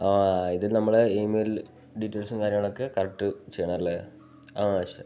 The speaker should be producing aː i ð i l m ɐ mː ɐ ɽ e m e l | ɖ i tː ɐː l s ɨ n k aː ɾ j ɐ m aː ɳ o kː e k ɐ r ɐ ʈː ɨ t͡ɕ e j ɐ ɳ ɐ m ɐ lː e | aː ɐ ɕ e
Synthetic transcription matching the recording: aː i ð i l n ɐ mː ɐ ɭ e m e l | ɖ i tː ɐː l s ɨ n k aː ɾ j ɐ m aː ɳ o kː e k ɐ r ɐ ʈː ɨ t͡ɕ e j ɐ ɳ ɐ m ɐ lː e | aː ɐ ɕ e